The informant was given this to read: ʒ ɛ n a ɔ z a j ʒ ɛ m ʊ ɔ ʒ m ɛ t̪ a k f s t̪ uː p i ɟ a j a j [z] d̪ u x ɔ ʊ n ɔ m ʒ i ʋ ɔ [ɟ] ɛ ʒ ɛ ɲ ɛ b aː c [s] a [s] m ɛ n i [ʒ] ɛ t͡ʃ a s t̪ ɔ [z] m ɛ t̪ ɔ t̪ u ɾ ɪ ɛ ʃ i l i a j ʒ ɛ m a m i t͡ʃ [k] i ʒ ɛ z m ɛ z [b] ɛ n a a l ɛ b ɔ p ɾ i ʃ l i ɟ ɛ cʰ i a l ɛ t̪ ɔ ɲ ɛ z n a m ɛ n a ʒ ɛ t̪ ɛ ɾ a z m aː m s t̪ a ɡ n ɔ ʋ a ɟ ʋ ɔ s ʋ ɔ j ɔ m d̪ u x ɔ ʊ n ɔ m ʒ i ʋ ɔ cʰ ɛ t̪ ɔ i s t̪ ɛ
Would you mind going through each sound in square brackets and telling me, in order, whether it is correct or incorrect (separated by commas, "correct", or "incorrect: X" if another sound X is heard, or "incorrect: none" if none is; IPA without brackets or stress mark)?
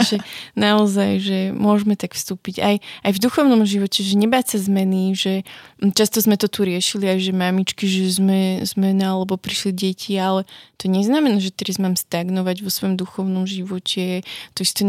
incorrect: v, incorrect: c, correct, incorrect: z, correct, correct, correct, incorrect: m